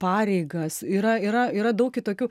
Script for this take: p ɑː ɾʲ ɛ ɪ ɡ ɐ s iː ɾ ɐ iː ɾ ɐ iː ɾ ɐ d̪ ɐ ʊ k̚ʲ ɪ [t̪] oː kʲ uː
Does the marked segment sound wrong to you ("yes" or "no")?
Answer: no